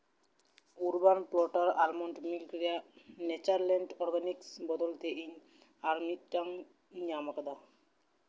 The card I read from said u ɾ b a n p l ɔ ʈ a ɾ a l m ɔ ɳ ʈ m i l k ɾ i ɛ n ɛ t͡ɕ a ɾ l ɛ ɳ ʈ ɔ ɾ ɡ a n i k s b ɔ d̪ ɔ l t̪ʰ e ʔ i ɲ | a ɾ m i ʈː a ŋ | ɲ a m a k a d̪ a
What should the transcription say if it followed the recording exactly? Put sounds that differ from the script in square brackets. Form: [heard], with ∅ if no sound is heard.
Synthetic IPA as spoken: u ɾ b a n p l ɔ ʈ a ɾ a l m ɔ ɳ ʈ m i l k ɾ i [a] n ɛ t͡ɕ a ɾ l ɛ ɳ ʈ ɔ ɾ ɡ a n i k s b ɔ d̪ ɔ l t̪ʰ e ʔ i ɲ | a ɾ m i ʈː a ŋ | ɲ a m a k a d̪ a